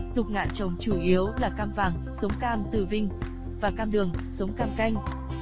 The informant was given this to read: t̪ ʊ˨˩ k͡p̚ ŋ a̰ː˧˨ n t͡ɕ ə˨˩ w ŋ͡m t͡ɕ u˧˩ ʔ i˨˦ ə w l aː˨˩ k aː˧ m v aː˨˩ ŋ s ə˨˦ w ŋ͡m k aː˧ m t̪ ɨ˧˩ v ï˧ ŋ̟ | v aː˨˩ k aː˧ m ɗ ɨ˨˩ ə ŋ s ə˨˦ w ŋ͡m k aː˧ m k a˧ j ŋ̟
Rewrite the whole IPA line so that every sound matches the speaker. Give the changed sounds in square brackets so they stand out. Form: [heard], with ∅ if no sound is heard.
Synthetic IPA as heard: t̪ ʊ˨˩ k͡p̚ ŋ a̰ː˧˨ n t͡ɕ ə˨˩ w ŋ͡m t͡ɕ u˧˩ ʔ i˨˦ ə w l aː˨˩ k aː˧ m v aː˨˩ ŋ s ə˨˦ w ŋ͡m k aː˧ m t̪ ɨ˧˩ v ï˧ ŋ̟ | v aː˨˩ k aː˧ m ɗ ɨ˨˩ ə ŋ s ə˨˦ w ŋ͡m k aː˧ m k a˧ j ŋ̟